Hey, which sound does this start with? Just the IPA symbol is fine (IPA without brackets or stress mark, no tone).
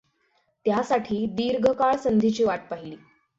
t̪